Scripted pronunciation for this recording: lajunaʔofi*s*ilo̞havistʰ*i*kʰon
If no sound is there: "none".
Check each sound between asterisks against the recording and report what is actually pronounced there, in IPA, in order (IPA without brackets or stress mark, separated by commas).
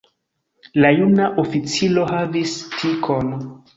t͡s, i